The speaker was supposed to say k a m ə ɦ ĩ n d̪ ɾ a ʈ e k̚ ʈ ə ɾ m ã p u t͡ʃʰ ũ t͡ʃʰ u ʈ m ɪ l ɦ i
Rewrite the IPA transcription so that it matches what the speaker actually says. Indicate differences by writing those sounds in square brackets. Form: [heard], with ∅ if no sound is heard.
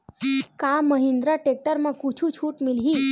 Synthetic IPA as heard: k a m ə ɦ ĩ n d̪ ɾ a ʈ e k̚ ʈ ə ɾ m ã [k] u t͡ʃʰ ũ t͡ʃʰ u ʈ m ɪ l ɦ i